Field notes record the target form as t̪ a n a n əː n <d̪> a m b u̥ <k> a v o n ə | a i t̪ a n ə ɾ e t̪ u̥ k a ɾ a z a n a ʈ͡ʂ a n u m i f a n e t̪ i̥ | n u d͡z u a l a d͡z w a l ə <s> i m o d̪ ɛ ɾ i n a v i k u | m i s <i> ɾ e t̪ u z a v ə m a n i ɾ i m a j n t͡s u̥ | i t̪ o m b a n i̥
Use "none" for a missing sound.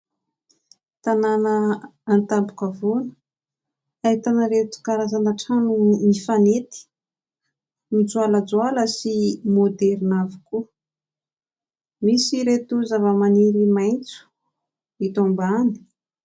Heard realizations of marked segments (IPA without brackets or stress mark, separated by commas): t̪, k, s, i